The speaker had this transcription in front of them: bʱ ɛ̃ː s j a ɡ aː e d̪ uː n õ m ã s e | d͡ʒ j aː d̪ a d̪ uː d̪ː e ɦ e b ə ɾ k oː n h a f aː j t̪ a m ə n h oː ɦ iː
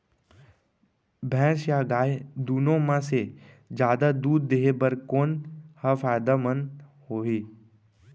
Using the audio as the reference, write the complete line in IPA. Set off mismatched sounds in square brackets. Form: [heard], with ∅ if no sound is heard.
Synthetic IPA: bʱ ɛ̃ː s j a ɡ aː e d̪ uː n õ m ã s e | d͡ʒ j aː d̪ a d̪ uː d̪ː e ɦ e b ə ɾ k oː n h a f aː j [d̪] a m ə n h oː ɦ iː